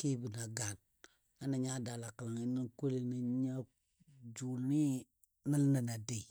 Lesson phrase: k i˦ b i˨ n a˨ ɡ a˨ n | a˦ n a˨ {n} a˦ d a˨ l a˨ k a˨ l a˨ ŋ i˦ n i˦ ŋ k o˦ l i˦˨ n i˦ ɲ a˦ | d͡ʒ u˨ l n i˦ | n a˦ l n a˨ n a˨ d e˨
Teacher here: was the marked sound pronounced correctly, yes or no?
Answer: no